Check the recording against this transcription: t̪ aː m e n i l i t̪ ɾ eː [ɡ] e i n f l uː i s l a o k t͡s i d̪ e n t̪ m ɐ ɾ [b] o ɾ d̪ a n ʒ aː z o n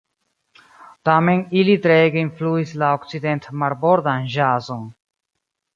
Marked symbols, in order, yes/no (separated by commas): yes, yes